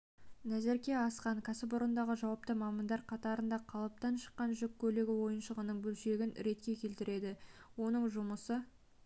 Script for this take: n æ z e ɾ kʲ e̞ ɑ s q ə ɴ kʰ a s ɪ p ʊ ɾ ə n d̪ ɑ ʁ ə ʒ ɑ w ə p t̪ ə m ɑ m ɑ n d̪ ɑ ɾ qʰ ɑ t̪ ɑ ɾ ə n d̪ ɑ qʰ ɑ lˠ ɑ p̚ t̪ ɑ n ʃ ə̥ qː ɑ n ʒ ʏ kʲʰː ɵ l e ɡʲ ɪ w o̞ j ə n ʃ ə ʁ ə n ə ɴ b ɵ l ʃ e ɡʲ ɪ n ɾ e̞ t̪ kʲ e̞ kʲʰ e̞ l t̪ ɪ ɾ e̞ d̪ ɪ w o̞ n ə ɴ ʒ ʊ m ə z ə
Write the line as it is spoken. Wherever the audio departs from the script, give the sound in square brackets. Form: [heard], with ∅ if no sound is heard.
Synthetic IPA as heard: n æ z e ɾ kʲ e̞ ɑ s q [ɑ] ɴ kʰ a s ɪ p ʊ ɾ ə n d̪ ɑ ʁ ə ʒ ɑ w [ɑ] p t̪ ə m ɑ m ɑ n d̪ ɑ ɾ qʰ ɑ t̪ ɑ ɾ ə n d̪ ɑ qʰ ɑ lˠ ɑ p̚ t̪ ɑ n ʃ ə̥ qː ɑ n ʒ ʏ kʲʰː ɵ l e ɡʲ ɪ w o̞ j ə n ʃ ə ʁ ə n ə ɴ b ɵ l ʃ e ɡʲ ɪ n ɾ e̞ t̪ kʲ e̞ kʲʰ e̞ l t̪ ɪ ɾ e̞ d̪ ɪ w o̞ n ə ɴ ʒ ʊ m ə [s] ə